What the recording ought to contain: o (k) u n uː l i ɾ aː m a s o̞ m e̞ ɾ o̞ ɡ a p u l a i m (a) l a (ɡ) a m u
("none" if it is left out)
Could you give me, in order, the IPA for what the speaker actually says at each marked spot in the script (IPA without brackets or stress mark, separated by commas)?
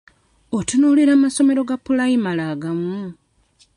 t, a, ɡ